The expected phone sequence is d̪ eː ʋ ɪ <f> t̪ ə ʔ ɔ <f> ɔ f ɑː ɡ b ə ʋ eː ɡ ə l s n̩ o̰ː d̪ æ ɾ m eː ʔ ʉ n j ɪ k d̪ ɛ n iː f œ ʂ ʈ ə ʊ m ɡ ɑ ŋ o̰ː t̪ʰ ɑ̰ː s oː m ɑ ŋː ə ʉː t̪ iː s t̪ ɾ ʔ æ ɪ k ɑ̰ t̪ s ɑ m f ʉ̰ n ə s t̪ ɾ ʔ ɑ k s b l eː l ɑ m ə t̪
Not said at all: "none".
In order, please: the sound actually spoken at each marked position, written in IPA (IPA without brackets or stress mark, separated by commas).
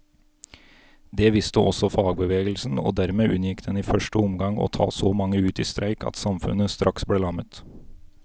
s, s